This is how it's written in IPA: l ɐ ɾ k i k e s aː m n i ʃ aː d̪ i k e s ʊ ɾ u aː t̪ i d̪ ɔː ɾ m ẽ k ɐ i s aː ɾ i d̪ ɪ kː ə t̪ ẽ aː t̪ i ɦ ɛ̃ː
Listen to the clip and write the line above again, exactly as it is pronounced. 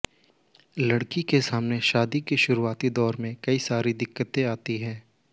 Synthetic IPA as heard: l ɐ ɽ k i k e s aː m n e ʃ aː d̪ i k e ʃ ʊ ɾ u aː t̪ i d̪ ɔː ɾ m ẽ k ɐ i s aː ɾ i d̪ ɪ kː ə t̪ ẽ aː t̪ i ɦ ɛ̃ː